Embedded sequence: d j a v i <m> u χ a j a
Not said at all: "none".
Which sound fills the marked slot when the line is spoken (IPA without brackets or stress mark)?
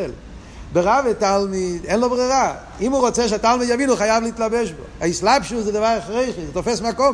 n